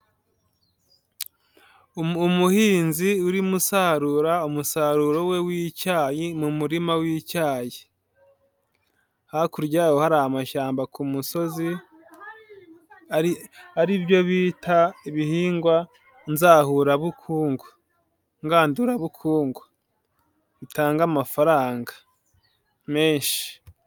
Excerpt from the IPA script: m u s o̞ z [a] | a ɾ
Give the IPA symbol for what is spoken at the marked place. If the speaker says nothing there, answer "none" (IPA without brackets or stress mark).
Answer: i